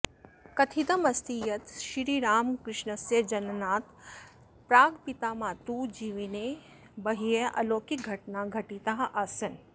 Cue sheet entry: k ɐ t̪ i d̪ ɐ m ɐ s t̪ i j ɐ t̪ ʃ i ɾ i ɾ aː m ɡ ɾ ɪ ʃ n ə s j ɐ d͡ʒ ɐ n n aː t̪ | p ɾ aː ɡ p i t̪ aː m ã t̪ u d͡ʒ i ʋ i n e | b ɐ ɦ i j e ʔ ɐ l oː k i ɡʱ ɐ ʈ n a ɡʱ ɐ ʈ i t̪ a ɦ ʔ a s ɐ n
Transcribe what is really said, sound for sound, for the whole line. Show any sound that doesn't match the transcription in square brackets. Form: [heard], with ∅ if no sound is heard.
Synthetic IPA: k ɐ [t̪ʰ] i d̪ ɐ m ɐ s t̪ i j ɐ t̪ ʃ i ɾ i ɾ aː m [k] ɾ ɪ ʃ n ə s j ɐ d͡ʒ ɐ n n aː t̪ | p ɾ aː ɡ p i t̪ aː m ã t̪ u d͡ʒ i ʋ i n e | b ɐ ɦ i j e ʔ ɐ l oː k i ɡʱ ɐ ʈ n a ɡʱ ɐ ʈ i t̪ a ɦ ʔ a s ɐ n